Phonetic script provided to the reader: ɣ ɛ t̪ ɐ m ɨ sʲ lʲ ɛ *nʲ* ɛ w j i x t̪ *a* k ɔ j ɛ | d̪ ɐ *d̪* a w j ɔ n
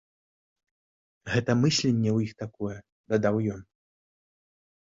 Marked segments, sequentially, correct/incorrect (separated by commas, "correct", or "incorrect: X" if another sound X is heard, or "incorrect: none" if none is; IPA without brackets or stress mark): incorrect: nʲː, correct, correct